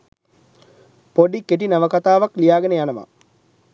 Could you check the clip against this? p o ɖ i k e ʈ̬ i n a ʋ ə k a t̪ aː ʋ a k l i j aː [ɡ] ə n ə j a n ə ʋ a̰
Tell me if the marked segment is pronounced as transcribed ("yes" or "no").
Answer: yes